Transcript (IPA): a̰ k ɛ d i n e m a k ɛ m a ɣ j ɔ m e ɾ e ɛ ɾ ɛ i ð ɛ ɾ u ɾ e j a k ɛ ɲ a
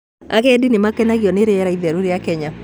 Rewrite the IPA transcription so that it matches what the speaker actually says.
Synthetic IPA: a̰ k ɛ d i n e m a k ɛ n a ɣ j ɔ n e ɾ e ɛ ɾ a i ð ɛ ɾ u ɾ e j a k ɛ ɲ a